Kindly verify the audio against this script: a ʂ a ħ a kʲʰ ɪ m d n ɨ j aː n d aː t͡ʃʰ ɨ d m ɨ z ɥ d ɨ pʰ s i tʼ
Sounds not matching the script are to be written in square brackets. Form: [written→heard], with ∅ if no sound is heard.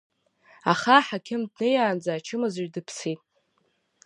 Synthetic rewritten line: a [ʂ→χ] a ħ a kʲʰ ɪ m d n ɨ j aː n [d→d͡z] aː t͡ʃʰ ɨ [d→∅] m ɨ z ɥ d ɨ pʰ s i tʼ